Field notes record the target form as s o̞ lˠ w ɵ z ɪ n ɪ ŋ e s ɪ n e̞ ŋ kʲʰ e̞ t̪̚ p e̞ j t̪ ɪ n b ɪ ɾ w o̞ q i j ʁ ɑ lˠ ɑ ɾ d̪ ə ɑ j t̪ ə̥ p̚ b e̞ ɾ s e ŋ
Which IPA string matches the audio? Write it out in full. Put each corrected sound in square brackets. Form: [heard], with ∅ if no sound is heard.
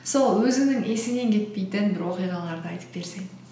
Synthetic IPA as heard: s o̞ lˠ w ɵ z ɪ n ɪ ŋ e s ɪ n e̞ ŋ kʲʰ e̞ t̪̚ p e̞ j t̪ ɪ n b ɪ ɾ w o̞ q i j ʁ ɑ lˠ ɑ ɾ d̪ ə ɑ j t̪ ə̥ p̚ b e̞ ɾ s e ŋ